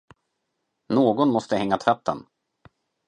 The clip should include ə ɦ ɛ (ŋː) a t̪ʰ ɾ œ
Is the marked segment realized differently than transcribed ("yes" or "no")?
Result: no